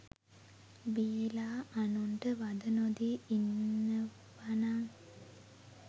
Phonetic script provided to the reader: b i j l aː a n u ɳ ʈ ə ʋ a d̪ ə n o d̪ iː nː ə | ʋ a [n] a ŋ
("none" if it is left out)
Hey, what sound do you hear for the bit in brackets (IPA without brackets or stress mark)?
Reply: n